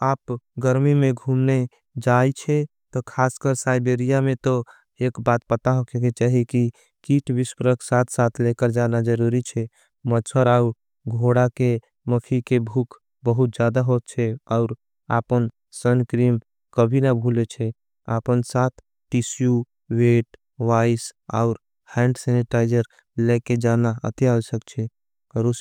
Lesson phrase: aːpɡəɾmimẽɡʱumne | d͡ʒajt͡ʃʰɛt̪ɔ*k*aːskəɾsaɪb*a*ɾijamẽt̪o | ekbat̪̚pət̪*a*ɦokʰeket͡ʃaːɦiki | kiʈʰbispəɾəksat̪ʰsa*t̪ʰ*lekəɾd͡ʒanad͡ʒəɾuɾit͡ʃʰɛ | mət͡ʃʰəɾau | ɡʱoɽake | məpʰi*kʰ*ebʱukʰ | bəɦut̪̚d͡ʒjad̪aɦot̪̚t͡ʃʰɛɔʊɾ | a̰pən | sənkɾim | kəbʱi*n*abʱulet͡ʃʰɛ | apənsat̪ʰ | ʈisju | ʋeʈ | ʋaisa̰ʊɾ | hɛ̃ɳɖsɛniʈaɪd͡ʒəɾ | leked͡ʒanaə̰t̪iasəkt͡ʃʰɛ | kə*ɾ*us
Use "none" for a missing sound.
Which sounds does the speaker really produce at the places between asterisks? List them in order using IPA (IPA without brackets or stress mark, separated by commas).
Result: kʰ, e, a, t̪ʰ, k, n, ɾ